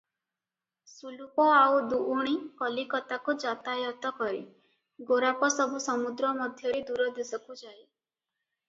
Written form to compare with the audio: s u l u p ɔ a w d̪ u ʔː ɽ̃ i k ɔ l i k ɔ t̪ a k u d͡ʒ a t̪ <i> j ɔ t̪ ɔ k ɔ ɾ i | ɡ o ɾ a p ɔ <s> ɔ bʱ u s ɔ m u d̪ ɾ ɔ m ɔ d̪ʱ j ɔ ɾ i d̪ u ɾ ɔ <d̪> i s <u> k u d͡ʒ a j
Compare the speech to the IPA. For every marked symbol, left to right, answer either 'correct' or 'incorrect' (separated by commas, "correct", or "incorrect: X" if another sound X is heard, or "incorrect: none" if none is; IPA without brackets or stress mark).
incorrect: a, correct, correct, incorrect: ɔ